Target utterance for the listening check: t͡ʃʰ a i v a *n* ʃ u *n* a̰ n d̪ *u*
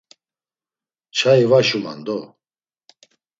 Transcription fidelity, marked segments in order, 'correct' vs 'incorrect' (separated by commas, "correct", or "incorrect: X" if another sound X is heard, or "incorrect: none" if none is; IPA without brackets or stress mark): incorrect: none, incorrect: m, incorrect: ɔ